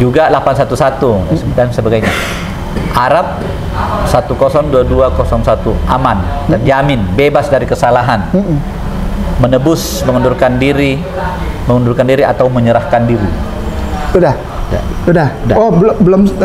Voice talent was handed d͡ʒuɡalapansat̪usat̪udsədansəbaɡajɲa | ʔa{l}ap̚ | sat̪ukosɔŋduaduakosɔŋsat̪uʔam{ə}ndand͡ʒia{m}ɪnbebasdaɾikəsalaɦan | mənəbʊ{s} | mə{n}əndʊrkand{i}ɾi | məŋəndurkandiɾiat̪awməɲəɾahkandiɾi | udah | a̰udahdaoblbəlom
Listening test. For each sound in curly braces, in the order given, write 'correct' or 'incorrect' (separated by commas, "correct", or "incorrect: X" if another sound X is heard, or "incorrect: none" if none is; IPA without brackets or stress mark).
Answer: incorrect: ɾ, incorrect: a, correct, correct, incorrect: ŋ, correct